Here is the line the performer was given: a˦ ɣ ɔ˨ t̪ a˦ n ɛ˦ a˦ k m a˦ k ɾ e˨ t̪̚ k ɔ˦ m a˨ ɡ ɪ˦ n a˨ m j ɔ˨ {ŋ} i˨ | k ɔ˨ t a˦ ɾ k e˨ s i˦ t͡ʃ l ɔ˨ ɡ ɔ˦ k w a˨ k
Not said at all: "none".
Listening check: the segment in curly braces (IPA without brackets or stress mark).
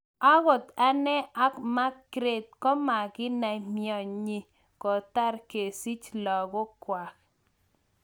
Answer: ɲ